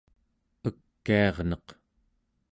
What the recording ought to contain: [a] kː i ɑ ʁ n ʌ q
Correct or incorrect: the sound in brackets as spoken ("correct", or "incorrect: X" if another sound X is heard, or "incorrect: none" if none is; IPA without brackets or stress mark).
incorrect: ə